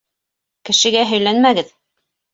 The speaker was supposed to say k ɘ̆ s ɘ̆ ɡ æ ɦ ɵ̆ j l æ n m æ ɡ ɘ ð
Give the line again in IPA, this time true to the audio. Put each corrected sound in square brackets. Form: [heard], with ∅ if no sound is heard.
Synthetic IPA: k ɘ̆ [ʃ] ɘ̆ ɡ æ ɦ ɵ̆ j l æ n m æ ɡ ɘ ð